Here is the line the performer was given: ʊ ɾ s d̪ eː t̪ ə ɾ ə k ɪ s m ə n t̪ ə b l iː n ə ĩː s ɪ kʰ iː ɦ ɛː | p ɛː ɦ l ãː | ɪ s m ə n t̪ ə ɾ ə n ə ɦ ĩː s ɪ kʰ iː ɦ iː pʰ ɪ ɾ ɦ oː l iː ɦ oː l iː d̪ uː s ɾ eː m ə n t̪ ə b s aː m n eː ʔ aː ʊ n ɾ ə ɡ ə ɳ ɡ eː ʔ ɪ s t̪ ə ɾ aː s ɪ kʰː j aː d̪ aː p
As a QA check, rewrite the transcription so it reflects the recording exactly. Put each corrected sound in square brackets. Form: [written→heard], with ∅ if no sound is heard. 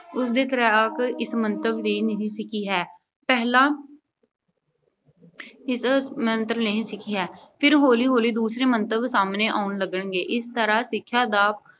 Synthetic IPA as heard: ʊ [ɾ→∅] s d̪ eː t̪ ə ɾ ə k ɪ s m ə n t̪ ə b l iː n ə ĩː s ɪ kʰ iː ɦ ɛː | p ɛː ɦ l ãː | ɪ s m ə n t̪ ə ɾ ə n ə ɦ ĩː s ɪ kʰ iː ɦ [iː→ɛː] pʰ ɪ ɾ ɦ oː l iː ɦ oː l iː d̪ uː s ɾ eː m ə n t̪ ə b s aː m n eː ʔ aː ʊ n [ɾ→l] ə ɡ ə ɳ ɡ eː ʔ ɪ s t̪ ə ɾ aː s ɪ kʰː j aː d̪ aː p